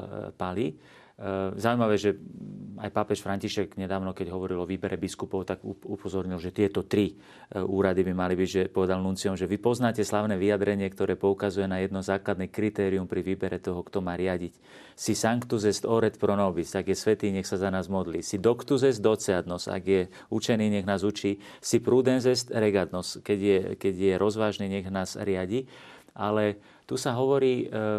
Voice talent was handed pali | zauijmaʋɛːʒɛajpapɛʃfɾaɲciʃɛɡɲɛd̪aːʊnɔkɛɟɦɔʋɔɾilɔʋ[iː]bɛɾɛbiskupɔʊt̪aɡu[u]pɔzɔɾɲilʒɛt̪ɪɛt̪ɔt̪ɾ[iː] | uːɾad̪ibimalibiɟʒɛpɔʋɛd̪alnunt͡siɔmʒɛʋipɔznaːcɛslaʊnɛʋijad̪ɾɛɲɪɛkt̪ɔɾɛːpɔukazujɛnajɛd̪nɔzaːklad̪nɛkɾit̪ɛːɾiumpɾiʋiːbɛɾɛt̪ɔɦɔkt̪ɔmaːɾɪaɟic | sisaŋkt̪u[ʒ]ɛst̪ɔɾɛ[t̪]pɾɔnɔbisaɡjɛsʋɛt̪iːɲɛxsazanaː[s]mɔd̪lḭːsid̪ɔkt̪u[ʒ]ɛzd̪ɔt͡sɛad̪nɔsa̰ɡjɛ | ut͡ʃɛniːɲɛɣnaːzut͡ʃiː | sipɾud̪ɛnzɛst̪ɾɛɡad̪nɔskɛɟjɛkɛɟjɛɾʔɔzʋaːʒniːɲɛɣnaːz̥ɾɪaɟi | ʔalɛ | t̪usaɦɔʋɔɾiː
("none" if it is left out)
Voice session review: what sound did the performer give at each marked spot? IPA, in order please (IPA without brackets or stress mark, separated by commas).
iː, u, i, z, t̪, z, z